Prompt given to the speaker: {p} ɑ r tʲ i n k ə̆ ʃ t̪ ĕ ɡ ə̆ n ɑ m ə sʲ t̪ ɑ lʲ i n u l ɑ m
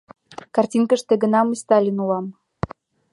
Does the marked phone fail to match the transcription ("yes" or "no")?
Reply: yes